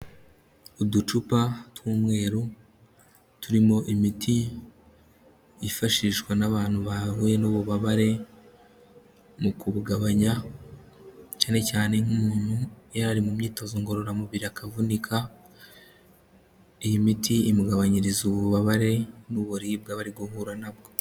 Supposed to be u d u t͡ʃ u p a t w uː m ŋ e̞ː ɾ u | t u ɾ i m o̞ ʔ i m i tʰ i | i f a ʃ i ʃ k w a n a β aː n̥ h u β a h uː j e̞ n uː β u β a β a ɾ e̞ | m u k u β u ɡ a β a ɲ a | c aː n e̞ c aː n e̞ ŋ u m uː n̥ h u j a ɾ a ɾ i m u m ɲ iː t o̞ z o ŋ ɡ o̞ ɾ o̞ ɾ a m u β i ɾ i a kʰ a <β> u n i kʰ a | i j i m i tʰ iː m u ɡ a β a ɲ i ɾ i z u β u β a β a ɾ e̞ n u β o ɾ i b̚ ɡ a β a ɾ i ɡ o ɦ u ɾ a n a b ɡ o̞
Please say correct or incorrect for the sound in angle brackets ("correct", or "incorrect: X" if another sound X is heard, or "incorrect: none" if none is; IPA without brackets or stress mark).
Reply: incorrect: v